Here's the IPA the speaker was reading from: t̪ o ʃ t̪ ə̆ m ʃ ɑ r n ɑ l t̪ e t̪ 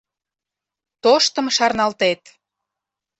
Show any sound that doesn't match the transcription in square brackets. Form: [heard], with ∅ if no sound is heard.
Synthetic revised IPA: t̪ o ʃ t̪ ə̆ m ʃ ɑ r n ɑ l t̪ e t̪